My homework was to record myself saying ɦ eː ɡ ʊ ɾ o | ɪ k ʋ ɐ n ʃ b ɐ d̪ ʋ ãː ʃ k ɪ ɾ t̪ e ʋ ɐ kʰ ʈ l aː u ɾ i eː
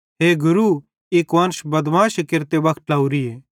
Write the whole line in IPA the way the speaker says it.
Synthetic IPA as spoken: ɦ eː ɡ ʊ ɾ u | ɪ k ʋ ɐ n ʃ b ɐ d̪ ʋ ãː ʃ k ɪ ɾ t̪ e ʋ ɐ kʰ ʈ l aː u ɾ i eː